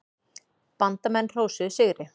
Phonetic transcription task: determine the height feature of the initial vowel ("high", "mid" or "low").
low